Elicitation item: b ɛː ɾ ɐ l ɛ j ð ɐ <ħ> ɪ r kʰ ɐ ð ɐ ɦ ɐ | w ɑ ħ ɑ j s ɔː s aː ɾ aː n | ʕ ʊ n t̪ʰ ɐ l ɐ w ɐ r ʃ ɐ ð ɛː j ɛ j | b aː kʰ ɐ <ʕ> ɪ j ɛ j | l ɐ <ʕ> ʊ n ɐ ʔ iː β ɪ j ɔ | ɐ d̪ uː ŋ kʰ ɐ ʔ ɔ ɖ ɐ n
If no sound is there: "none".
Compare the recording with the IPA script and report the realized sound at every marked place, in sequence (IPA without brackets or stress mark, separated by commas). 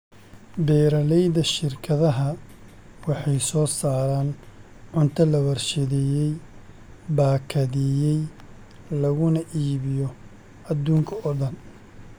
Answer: ʃ, ð, ɣ